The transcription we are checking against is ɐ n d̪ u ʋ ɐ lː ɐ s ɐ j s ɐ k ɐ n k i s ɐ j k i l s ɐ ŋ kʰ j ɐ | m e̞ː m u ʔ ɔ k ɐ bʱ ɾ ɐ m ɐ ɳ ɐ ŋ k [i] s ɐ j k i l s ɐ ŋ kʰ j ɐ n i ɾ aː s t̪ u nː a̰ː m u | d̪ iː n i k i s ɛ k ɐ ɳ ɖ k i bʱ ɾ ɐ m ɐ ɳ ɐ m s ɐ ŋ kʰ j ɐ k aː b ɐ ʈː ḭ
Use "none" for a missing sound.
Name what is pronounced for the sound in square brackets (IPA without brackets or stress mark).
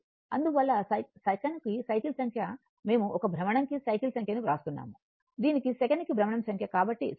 i